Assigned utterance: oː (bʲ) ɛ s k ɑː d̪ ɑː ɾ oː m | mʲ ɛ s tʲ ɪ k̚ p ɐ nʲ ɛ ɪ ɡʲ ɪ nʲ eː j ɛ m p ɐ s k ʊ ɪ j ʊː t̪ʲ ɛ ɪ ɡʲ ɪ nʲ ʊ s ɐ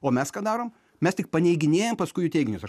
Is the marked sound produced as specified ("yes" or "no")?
no